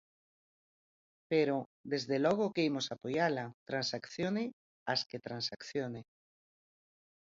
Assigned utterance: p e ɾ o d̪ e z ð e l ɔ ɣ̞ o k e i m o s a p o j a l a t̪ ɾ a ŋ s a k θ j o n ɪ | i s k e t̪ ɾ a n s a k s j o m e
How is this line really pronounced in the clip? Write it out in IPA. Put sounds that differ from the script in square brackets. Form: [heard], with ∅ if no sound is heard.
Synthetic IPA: p e ɾ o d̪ e z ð e l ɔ ɣ̞ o k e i m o s a p o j a l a t̪ ɾ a [n] s a k θ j o n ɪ | [a] s k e t̪ ɾ a n s a k [θ] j o [n] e